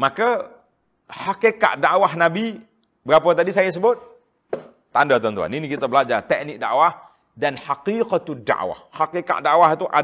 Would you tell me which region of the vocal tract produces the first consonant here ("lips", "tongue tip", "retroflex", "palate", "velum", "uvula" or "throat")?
lips